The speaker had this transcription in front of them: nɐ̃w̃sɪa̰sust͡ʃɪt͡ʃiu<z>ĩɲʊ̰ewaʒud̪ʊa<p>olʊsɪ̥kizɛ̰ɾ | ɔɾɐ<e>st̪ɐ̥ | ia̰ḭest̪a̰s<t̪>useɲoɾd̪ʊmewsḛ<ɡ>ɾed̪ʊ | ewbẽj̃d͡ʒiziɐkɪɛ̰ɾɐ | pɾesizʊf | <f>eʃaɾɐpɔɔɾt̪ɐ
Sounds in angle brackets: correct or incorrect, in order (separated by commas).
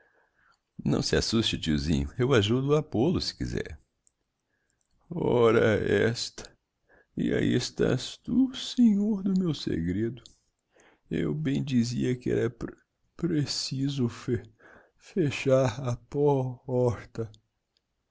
correct, correct, incorrect, correct, correct, correct